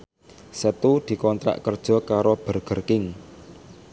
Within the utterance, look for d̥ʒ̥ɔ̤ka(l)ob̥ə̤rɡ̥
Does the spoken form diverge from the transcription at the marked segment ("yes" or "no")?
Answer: yes